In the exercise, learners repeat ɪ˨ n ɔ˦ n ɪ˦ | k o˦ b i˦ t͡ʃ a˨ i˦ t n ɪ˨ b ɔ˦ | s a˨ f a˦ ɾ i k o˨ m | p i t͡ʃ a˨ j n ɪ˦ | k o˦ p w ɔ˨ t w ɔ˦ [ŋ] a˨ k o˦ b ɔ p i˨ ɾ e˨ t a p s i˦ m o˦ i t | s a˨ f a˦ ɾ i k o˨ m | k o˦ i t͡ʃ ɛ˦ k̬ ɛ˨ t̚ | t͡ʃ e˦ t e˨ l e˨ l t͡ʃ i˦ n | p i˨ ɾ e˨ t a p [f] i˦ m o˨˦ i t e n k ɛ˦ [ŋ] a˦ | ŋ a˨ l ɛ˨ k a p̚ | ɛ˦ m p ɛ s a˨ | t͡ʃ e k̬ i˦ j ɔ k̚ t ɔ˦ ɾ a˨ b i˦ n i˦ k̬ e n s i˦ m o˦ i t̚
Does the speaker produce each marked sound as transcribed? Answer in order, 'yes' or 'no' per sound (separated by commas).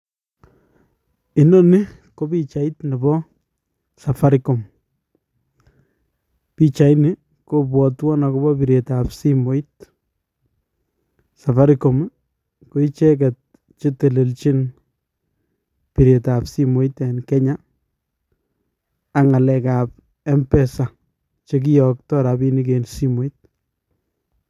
no, no, no